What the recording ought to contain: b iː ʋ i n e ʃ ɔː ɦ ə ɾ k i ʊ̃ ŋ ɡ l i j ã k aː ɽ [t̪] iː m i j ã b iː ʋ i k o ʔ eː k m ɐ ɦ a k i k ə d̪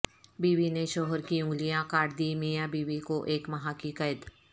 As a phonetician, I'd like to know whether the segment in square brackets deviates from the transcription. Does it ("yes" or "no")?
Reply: yes